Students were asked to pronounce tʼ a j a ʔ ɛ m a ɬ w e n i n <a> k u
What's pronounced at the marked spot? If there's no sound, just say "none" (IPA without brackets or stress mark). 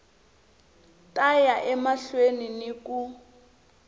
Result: i